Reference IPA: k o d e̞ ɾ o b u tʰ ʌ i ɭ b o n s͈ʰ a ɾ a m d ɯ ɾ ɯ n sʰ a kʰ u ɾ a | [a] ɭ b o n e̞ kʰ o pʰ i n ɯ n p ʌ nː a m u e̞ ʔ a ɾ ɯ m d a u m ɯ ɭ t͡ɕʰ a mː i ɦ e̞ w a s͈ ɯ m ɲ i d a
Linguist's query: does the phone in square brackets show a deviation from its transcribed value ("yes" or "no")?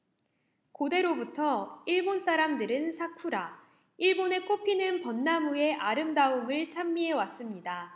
yes